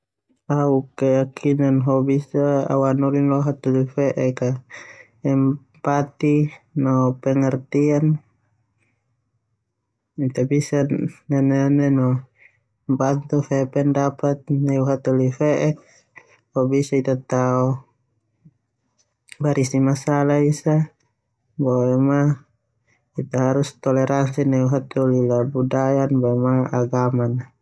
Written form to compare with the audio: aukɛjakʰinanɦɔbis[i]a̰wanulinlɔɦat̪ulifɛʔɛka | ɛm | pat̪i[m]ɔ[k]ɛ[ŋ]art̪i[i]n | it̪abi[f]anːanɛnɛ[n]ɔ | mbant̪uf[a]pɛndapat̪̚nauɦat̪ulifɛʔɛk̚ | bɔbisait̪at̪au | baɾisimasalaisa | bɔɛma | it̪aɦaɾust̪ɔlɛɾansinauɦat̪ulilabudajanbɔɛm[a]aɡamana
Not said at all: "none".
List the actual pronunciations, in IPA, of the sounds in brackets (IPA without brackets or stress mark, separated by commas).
a, n, p, ŋ, a, s, n, ɛ, a